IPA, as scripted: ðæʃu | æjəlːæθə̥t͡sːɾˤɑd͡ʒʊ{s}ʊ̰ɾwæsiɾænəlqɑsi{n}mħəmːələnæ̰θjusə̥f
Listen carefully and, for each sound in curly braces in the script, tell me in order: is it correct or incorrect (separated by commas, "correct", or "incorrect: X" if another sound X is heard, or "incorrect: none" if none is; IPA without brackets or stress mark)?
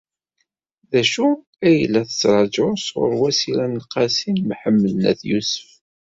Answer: correct, correct